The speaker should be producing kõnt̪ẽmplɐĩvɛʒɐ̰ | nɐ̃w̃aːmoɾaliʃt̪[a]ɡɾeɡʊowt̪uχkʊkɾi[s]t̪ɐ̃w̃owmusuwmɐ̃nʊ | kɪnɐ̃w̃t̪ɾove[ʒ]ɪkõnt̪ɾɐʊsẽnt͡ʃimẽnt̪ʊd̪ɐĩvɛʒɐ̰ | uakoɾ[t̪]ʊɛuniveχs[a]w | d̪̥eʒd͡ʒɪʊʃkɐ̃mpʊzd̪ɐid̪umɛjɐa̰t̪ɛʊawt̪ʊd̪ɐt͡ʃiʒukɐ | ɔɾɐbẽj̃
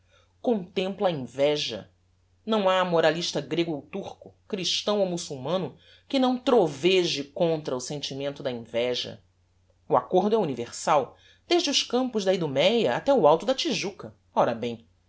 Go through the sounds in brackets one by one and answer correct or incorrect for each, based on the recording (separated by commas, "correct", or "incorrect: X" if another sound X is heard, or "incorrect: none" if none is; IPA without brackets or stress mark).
incorrect: ɐ, incorrect: ʃ, correct, incorrect: d̪, correct